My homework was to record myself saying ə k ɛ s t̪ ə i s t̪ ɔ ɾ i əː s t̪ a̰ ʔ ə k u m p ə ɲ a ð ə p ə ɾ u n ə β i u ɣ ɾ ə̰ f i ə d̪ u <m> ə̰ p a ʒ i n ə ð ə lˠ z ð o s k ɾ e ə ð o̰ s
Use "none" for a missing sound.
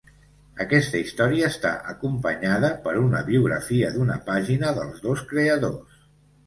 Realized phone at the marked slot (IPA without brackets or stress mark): n